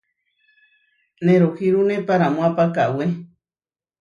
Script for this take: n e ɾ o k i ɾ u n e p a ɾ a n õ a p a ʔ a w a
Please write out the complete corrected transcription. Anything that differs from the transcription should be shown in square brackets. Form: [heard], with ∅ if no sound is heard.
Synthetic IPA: n e ɾ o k i ɾ u n e p a ɾ a [m] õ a p a [k] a w [e]